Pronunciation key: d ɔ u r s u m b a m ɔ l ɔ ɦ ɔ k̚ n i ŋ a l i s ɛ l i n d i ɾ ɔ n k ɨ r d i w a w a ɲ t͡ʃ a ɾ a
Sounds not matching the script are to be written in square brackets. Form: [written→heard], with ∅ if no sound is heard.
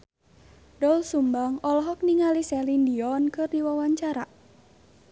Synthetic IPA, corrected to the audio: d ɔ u [r→l] s u m b a [m→ŋ] ɔ l ɔ ɦ ɔ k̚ n i ŋ a l i s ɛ l i n d i [ɾ→∅] ɔ n k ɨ r d i w a w a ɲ t͡ʃ a ɾ a